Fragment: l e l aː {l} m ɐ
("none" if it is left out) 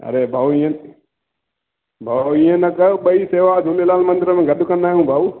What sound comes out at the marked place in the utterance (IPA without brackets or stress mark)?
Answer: l